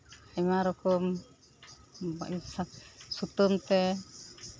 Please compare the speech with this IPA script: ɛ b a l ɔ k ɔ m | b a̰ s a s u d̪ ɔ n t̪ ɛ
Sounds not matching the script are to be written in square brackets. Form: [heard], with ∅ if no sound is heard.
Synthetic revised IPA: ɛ [m] a [ɾ] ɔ k ɔ m | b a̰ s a s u [t̪] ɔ [m] t̪ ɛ